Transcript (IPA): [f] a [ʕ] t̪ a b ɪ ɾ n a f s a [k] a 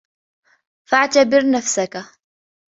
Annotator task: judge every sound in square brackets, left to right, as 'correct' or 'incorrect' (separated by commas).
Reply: correct, correct, correct